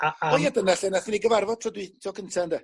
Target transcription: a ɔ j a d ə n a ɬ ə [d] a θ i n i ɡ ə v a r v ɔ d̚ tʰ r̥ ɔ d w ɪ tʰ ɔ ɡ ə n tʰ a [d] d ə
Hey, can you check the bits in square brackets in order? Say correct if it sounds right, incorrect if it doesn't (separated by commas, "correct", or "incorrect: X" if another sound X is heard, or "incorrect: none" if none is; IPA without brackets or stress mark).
incorrect: n, incorrect: n